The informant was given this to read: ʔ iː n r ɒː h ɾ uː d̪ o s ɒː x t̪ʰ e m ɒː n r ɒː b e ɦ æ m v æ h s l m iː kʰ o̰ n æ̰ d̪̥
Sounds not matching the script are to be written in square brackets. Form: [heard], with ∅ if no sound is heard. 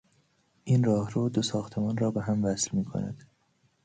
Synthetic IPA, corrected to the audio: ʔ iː n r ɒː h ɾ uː d̪ o s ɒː x t̪ʰ e m ɒː n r ɒː b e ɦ æ m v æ [∅] s l m iː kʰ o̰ n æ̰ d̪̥